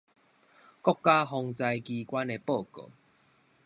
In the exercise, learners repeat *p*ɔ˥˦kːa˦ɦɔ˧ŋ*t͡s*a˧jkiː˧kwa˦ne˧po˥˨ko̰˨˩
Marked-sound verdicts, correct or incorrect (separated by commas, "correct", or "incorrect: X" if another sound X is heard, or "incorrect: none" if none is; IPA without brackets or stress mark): incorrect: k, correct